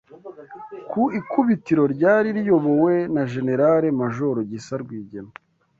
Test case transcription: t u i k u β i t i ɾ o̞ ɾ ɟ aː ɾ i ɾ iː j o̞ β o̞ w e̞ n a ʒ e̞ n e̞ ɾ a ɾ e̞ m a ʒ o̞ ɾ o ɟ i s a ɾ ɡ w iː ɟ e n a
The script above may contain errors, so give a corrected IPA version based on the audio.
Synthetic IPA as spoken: k u i k u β i t i ɾ o̞ ɾ ɟ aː ɾ i ɾ i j o̞ β o̞ w e̞ n a ʒ e̞ n e̞ ɾ a ɾ e̞ m a ʒ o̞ ɾ o ɟ i s a ɾ ɡ w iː ɟ e n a